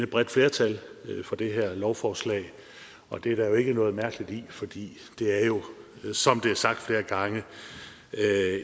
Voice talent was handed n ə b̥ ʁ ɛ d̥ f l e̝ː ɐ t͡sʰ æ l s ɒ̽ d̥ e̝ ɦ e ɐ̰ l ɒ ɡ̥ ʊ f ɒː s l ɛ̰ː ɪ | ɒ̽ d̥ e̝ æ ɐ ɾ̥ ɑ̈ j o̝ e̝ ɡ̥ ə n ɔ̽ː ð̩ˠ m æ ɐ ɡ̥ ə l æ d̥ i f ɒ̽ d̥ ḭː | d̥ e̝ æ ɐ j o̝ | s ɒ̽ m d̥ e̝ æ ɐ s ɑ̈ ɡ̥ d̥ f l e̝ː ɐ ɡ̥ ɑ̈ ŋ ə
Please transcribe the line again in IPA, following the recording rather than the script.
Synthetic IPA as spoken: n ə b̥ ʁ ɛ d̥ f l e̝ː ɐ t͡sʰ æ l f ɒ̽ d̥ e̝ ɦ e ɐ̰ l ɒ ʊ f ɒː s l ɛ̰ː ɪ | ɒ̽ d̥ e̝ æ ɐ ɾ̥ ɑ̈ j o̝ e̝ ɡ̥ ə n ɔ̽ː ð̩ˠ m æ ɐ ɡ̥ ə l i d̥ i f ɒ̽ d̥ ḭː | d̥ e̝ æ ɐ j o̝ | s ɒ̽ m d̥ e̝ æ ɐ s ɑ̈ ɡ̥ d̥ f l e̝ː ɐ ɡ̥ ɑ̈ ŋ ə